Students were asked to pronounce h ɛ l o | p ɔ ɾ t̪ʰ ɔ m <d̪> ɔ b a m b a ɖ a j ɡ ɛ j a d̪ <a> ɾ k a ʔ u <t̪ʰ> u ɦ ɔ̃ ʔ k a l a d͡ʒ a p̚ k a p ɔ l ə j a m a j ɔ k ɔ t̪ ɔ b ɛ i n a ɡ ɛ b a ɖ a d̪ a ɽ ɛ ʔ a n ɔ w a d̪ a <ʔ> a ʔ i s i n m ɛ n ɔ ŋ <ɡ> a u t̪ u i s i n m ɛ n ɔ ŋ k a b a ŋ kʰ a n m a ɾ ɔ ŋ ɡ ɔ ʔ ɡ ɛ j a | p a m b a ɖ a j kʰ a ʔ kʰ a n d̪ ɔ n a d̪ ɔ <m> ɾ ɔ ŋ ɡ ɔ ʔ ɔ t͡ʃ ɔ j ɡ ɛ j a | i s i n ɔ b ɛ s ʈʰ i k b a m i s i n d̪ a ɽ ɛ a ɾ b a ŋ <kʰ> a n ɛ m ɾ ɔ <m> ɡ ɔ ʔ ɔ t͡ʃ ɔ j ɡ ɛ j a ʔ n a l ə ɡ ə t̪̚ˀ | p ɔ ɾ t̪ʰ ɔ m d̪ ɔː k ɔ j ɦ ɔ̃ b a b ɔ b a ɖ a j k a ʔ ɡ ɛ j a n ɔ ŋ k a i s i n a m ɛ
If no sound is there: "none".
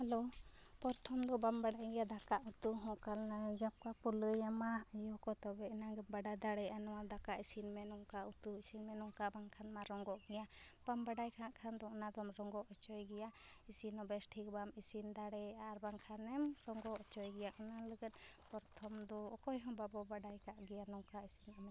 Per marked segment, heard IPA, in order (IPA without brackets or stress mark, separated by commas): d̪, a, t̪, k, k, m, kʰ, ŋ